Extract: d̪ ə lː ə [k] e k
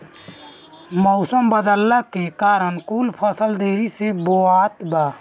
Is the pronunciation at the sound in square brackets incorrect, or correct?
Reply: correct